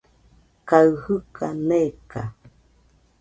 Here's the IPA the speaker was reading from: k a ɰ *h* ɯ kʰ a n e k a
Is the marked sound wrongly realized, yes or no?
no